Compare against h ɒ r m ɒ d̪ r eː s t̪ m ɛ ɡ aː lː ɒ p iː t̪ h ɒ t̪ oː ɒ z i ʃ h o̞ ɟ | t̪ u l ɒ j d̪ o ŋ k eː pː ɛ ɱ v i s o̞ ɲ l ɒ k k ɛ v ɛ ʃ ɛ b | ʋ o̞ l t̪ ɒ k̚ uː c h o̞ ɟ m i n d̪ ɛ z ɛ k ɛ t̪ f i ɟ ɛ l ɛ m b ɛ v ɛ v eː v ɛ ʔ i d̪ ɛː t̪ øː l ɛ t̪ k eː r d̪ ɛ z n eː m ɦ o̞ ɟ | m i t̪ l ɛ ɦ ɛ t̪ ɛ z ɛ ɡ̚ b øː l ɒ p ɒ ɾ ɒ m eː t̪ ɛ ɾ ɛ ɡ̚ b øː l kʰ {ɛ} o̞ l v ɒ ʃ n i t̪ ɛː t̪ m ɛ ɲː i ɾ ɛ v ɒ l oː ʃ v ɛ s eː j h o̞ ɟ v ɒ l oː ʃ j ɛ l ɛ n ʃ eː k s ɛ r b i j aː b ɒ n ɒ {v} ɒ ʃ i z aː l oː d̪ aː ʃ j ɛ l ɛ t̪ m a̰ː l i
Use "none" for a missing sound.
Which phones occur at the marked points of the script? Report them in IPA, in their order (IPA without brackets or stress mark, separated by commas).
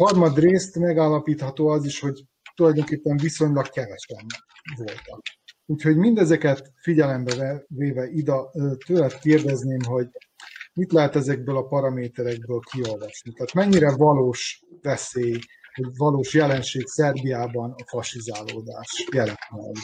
i, f